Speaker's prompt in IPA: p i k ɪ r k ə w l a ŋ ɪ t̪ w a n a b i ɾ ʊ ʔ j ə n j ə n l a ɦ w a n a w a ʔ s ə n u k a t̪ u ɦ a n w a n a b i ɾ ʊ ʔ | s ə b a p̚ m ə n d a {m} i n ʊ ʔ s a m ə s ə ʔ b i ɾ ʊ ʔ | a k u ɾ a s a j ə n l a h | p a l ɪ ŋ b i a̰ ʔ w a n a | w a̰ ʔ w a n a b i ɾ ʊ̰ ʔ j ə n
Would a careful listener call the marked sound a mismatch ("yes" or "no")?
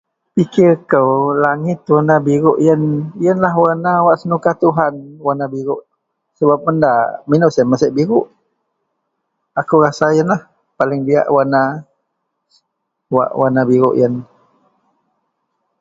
no